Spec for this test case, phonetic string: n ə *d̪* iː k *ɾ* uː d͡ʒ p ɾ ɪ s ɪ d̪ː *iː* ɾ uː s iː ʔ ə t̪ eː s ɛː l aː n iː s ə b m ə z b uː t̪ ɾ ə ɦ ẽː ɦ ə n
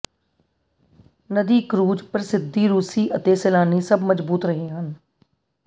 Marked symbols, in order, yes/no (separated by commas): yes, yes, yes